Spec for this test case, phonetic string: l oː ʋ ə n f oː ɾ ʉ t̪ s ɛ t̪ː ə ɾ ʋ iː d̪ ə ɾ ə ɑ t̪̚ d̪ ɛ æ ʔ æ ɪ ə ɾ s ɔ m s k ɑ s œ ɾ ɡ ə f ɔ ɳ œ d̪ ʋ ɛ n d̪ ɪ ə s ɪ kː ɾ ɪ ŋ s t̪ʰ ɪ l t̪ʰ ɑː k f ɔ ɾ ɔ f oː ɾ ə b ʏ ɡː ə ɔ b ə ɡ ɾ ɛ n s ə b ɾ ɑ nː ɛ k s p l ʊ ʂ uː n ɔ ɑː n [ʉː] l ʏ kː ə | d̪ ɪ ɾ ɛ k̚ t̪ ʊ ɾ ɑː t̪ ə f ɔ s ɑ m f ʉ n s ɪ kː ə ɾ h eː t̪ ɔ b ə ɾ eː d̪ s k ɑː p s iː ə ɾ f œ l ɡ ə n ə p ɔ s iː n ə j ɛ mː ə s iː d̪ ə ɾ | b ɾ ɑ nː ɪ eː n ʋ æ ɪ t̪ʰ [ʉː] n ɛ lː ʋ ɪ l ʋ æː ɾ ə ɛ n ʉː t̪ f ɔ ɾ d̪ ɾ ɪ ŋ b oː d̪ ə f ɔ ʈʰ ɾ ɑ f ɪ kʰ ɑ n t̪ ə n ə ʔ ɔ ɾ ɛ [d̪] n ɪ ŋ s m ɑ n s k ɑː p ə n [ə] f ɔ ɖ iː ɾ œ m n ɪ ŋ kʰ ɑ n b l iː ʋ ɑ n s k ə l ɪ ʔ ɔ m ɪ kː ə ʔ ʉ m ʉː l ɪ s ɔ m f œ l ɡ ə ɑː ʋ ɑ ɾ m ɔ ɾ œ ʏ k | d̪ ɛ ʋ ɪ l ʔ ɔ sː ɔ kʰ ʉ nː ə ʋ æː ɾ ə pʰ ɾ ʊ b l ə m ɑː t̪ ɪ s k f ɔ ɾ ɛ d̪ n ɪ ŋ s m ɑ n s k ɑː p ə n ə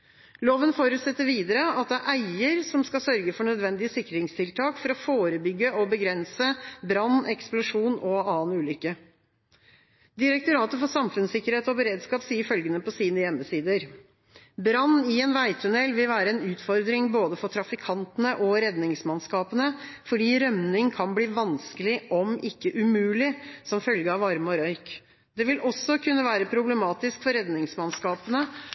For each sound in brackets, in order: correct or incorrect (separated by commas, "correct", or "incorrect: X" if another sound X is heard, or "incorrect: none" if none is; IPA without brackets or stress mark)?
correct, incorrect: ʉ, correct, correct